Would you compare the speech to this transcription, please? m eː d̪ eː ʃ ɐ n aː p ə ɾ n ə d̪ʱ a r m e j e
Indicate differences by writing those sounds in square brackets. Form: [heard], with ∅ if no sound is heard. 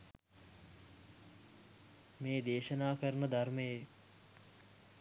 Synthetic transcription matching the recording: m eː d̪ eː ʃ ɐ n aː [k] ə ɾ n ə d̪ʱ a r m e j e